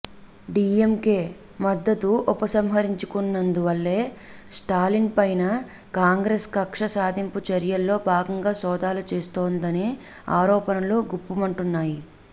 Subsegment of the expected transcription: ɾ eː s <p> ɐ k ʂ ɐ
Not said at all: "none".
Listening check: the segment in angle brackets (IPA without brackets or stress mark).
k